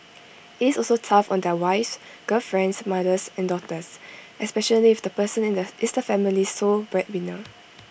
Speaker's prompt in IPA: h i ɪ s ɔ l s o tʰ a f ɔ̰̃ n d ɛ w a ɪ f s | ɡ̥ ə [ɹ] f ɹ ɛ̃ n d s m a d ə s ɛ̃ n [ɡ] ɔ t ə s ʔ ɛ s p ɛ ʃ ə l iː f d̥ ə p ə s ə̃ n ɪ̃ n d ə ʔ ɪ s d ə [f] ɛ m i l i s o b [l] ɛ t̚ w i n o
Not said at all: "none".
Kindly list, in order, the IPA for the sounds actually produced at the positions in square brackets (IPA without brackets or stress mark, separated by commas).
l, d, f, ɹ